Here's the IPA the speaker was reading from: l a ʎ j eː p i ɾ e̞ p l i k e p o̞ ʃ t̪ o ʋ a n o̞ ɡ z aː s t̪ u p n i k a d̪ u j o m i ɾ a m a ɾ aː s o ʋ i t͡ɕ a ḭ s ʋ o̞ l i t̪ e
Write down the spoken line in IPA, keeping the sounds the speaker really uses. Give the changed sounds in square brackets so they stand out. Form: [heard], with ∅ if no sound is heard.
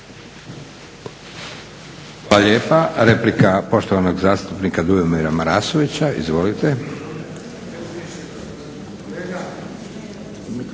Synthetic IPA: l a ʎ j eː p [a] ɾ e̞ p l i k [a] p o̞ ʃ t̪ o ʋ a n o̞ ɡ z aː s t̪ u p n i k a d̪ u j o m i ɾ a m a ɾ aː s o ʋ i t͡ɕ a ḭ [z] ʋ o̞ l i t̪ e